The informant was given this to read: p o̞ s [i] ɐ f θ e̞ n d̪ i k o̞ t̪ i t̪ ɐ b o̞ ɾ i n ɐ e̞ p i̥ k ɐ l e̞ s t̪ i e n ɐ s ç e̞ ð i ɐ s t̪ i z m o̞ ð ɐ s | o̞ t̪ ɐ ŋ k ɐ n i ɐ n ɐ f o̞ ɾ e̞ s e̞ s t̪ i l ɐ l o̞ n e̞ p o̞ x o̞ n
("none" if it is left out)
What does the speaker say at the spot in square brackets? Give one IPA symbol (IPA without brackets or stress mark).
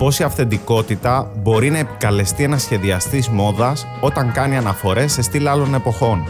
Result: i